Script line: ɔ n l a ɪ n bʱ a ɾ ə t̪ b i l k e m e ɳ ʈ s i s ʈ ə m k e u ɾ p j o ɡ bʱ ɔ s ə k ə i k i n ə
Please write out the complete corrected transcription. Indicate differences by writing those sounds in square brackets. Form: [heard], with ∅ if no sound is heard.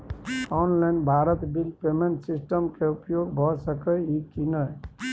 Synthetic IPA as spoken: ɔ n l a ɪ n bʱ a ɾ ə t̪ b i l [p] e m e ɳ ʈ s i s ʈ ə m k e u [∅] p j o ɡ bʱ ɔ s ə k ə i k i n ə